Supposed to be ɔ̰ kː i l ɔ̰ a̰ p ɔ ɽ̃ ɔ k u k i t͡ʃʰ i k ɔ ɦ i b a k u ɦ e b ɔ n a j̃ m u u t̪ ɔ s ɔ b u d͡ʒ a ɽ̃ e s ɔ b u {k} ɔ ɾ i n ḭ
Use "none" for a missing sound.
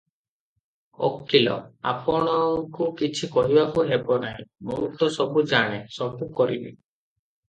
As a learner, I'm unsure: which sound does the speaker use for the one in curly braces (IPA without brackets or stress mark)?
k